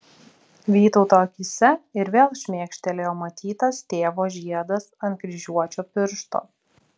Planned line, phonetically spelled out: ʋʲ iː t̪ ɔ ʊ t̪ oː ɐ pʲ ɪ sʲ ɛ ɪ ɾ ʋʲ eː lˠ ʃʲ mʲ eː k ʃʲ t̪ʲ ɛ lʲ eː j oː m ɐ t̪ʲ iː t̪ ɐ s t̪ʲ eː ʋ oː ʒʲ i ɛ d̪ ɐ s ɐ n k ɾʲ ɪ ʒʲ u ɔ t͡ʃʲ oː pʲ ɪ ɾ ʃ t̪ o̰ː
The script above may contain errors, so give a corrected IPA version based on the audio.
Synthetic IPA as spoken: ʋʲ iː t̪ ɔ ʊ t̪ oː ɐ kʲ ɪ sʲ ɛ ɪ ɾ ʋʲ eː lˠ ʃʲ mʲ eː k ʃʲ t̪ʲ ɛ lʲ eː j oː m ɐ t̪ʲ iː t̪ ɐ s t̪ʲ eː ʋ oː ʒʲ i ɛ d̪ ɐ s ɐ n k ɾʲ ɪ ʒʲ u ɔ t͡ʃʲ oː pʲ ɪ ɾ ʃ t̪ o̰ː